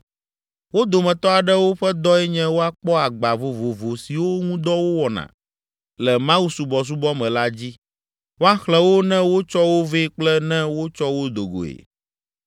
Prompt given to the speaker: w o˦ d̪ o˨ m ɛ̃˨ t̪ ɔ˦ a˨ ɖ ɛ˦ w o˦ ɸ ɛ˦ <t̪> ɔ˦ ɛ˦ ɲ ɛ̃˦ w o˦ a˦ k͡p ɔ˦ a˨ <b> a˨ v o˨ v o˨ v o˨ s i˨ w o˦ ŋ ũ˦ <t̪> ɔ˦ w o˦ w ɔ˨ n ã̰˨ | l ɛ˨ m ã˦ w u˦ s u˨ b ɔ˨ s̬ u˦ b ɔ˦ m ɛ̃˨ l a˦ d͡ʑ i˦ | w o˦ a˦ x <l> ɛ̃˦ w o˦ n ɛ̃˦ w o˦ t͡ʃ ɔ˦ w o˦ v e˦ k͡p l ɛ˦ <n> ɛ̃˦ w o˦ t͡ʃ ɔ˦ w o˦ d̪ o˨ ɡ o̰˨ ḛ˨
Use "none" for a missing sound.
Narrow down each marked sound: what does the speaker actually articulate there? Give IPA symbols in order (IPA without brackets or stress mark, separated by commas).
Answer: d̪, ɡ͡b, d̪, l, n